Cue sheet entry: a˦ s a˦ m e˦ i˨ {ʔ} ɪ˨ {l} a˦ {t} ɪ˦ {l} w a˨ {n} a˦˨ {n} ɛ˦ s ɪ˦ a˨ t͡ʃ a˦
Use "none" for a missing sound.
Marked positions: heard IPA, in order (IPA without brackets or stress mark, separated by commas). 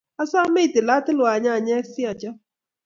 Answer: t, l, t, l, ɲ, ɲ